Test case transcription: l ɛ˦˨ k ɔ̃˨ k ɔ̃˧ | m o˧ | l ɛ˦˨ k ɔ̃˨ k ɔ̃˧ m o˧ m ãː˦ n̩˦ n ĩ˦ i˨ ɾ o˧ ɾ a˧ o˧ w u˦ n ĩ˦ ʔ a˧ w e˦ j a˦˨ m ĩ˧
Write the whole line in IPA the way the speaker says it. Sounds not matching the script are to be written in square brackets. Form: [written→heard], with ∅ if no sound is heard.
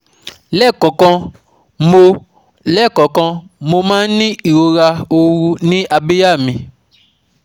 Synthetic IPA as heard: l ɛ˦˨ k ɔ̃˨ k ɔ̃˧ | m o˧ | l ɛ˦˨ k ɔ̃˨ k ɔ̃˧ m o˧ m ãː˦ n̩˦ n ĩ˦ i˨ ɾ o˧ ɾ a˧ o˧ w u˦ n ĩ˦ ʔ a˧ [w→b] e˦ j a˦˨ m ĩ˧

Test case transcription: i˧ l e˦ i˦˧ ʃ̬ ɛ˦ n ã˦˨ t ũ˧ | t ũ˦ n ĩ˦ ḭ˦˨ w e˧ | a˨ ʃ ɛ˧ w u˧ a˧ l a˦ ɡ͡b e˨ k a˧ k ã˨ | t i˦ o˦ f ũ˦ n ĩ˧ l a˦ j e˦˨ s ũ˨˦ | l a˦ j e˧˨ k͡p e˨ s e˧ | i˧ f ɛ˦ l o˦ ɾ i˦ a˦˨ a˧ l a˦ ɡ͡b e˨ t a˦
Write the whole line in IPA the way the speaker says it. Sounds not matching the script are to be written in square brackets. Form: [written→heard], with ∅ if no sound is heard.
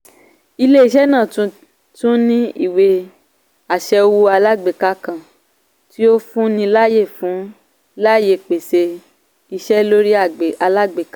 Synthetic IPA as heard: i˧ l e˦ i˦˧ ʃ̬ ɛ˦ n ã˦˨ t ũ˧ | t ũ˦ n ĩ˦ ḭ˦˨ w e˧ | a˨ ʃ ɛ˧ w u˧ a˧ l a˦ ɡ͡b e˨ k a˧ k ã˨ | t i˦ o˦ f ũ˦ n ĩ˧ l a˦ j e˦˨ [s→f] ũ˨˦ | l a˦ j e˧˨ k͡p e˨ s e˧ | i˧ [f→ʃ] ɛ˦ l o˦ ɾ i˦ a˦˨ a˧ l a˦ ɡ͡b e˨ [t→k] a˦

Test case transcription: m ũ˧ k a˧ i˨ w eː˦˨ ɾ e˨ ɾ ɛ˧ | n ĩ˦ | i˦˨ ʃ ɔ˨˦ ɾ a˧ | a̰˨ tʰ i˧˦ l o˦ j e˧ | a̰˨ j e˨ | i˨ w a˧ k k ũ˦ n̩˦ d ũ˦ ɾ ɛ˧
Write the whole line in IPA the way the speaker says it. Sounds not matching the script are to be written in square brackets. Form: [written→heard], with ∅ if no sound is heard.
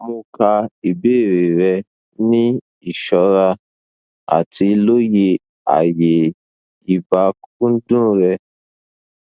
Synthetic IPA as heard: m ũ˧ k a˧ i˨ [w→b] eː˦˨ ɾ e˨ ɾ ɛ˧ | n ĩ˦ | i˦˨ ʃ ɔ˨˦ ɾ a˧ | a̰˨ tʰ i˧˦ l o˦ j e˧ | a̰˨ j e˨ | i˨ [w→b] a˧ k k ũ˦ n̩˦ d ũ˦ ɾ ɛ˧

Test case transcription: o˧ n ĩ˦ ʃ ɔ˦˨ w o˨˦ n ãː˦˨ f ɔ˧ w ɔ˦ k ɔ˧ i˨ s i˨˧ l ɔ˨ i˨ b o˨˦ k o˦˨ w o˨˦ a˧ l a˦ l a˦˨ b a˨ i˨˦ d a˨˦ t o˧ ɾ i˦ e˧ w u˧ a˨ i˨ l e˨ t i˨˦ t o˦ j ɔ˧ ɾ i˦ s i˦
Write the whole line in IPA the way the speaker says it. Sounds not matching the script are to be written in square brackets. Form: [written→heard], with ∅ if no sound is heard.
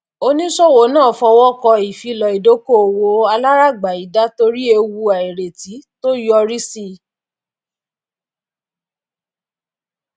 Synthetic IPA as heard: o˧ n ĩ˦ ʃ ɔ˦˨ w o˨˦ n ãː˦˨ f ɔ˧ w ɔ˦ k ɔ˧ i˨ [s→f] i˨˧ l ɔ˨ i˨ [b→d] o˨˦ k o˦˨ w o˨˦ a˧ l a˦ [l→ɾ] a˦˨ [b→ɡ͡b] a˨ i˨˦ d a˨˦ t o˧ ɾ i˦ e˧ w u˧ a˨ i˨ [l→ɾ] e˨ t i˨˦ t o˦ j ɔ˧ ɾ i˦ s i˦

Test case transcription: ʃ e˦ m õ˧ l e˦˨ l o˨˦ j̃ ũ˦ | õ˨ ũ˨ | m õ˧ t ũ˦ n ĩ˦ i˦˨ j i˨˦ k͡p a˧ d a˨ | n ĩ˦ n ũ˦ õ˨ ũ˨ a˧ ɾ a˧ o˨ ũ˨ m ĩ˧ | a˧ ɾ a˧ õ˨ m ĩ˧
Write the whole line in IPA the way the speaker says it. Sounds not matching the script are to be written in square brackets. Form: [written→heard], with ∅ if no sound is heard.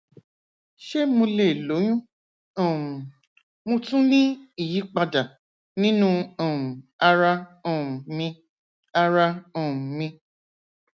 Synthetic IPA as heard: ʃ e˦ m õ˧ l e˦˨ l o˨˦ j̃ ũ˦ | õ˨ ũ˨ | m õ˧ t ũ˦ n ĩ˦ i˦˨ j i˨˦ k͡p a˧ d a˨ | n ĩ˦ n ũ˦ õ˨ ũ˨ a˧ ɾ a˧ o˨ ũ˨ m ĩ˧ | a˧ ɾ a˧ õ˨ m ĩ˧

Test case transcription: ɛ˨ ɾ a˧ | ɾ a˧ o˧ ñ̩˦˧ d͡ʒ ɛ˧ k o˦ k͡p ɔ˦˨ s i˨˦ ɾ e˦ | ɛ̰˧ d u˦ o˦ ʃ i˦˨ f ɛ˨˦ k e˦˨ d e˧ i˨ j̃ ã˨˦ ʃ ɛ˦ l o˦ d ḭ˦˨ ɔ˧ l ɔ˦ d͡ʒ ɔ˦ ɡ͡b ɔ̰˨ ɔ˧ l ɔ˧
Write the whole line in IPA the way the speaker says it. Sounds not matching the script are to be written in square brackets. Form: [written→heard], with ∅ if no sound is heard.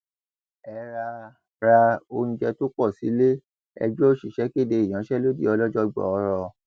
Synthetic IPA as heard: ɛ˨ ɾ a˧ | ɾ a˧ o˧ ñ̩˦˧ d͡ʒ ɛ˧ [k→t] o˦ k͡p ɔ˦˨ s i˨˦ [ɾ→l] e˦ | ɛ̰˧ [d→d͡ʒ] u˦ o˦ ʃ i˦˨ [f→ʃ] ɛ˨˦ k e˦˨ d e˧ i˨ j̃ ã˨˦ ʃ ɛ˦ l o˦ d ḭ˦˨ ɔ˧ l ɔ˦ d͡ʒ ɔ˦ ɡ͡b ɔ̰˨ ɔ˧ [l→ɾ] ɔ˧

